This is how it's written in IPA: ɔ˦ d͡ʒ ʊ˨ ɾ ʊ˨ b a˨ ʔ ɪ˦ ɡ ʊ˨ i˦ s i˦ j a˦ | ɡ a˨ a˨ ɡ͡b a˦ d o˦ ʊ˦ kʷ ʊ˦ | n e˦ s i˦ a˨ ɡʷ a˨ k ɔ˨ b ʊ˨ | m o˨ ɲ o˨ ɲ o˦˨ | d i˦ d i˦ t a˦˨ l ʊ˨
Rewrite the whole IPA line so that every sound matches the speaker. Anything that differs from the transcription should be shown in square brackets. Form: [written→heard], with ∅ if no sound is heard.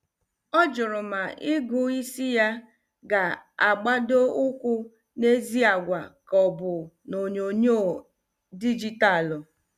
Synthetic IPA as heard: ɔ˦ d͡ʒ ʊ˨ ɾ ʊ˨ [b→m] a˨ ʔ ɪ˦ ɡ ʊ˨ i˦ s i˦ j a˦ | ɡ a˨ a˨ ɡ͡b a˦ d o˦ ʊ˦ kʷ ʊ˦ | n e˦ [s→z] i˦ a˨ ɡʷ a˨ k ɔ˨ b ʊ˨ | [m→n] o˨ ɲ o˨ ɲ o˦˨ | d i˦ [d→d͡ʒ] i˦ t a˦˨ l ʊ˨